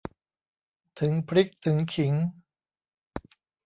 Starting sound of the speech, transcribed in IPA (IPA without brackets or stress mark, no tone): t̪ʰ